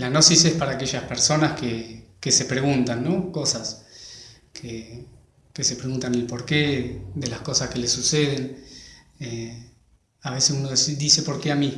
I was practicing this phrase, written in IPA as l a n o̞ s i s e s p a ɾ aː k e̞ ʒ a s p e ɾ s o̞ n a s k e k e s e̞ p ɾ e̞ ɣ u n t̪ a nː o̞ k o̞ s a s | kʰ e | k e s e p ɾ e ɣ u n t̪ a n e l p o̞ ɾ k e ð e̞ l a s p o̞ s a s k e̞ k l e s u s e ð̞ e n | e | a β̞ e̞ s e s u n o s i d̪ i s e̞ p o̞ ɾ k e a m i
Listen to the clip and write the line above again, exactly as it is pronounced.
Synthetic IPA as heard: l a n o̞ s i s e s p a ɾ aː k e̞ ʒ a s p e ɾ s o̞ n a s k e k e s e̞ p ɾ e̞ ɣ u n t̪ a nː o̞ k o̞ s a s | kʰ e | k e s e p ɾ e ɣ u n t̪ a n e l p o̞ ɾ k e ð e̞ l a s k o̞ s a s k e̞ l e s u s e ð̞ e n | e | a β̞ e̞ s e s u n o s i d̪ i s e̞ p o̞ ɾ k e a m i